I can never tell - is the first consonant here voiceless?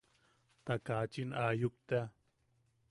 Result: yes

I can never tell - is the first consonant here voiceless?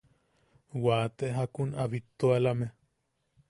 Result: no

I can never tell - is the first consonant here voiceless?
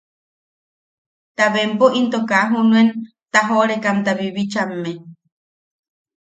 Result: yes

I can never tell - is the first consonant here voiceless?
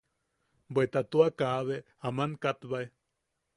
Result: no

